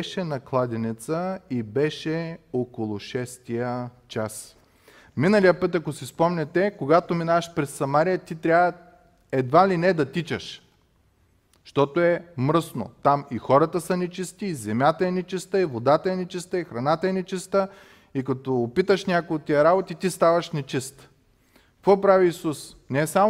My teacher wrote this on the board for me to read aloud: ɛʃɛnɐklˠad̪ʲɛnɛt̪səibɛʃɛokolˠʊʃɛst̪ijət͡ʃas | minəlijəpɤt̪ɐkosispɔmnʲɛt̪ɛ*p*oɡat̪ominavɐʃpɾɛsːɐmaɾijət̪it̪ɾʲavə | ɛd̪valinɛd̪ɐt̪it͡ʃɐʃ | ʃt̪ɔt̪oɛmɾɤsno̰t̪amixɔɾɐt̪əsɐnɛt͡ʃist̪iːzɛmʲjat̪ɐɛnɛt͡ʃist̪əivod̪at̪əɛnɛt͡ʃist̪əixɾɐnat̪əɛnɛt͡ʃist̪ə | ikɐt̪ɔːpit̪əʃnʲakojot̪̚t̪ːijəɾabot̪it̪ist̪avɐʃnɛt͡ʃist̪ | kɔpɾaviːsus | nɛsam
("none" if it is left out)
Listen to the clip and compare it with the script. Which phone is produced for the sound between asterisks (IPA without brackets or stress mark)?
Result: k